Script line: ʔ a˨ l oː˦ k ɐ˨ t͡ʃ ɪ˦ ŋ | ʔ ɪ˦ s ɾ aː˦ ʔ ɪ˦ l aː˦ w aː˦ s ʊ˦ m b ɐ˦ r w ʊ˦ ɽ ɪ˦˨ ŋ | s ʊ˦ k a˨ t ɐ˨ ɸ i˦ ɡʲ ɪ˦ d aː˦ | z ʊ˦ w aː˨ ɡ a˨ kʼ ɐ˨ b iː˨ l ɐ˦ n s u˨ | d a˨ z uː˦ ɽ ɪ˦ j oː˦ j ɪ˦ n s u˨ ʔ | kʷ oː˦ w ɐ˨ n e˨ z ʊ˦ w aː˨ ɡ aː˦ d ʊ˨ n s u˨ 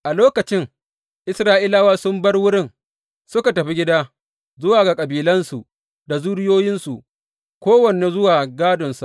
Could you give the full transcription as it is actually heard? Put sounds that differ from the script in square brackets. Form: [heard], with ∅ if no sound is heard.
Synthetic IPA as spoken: ʔ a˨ l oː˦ k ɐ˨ t͡ʃ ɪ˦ ŋ | ʔ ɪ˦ s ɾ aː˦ ʔ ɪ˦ l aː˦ w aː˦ s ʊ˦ m b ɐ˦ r w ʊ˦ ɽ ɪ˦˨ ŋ | s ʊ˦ k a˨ t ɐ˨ ɸ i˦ ɡʲ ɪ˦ d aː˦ | z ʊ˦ w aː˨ ɡ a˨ kʼ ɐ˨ b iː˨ l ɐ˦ n s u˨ | d a˨ z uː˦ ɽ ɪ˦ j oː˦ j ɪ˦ n s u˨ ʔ | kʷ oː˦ w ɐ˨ n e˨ z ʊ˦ w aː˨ ɡ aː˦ d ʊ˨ n s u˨